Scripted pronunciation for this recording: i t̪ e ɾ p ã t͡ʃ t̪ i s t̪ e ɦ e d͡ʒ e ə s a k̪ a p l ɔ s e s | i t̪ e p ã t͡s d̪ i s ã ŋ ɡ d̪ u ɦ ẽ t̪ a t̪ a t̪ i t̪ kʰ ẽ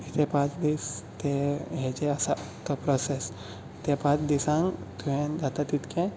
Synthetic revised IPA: i t̪ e p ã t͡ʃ d̪ i s t̪ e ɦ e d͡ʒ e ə s a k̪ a p ɾ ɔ s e s | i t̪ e p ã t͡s d̪ i s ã ŋ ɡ t̪ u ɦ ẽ d̪ a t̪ a t̪ i t̪ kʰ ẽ